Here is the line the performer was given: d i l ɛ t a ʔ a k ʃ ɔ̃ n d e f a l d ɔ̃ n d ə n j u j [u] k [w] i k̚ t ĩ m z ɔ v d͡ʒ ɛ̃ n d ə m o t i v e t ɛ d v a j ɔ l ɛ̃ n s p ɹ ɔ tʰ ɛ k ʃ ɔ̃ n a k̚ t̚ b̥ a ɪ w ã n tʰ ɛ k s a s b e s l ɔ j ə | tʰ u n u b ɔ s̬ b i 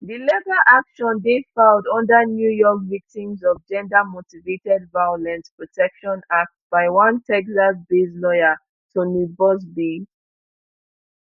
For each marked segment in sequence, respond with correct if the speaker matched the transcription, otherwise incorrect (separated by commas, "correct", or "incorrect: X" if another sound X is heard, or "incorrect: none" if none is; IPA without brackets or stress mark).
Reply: incorrect: ɔ, incorrect: v